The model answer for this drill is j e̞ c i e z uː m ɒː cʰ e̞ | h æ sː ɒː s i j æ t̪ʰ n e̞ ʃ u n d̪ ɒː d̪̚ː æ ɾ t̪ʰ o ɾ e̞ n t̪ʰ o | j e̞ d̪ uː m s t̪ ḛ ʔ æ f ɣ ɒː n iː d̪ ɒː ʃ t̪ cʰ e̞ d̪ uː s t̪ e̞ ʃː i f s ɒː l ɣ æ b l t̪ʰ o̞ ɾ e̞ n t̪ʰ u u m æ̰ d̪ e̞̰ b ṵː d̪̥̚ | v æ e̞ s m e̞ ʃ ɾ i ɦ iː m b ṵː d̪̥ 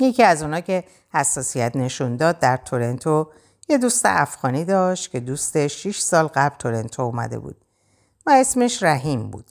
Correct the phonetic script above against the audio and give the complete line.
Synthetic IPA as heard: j e̞ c i æ z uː n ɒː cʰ e̞ | h æ sː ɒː s i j æ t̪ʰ n e̞ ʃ u n d̪ ɒː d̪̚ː æ ɾ t̪ʰ o ɾ e̞ n t̪ʰ o | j e̞ d̪ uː s t̪ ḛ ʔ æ f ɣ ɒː n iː d̪ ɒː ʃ t̪ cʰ e̞ d̪ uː s t̪ e̞ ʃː i ʃ s ɒː l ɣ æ b l t̪ʰ o̞ ɾ e̞ n t̪ʰ o u m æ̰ d̪ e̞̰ b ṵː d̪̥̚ | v æ e̞ s m e̞ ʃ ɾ æ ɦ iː m b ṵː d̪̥